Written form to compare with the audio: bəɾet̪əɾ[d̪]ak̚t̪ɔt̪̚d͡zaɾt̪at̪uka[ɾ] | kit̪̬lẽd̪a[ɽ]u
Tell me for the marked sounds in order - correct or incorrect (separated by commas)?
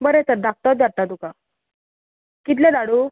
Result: correct, incorrect, correct